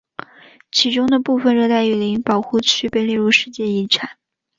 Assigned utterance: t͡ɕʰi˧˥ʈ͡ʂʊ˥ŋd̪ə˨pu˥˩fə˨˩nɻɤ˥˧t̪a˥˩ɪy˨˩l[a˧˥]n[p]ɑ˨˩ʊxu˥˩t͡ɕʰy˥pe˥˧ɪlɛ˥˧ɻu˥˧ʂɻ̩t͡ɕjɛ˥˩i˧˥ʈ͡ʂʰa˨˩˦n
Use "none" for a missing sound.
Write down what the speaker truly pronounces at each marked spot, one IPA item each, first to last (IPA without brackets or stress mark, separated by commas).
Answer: i˧˥, p